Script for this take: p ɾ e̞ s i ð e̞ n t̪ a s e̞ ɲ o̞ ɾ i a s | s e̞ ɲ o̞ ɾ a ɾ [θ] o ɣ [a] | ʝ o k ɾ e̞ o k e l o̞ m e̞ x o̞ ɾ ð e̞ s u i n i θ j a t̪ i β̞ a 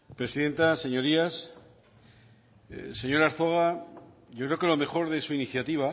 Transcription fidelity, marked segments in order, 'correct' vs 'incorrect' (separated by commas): correct, correct